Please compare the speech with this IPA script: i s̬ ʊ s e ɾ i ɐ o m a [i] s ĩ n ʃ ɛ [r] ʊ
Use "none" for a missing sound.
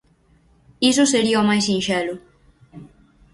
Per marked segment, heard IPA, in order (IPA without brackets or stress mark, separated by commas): j, l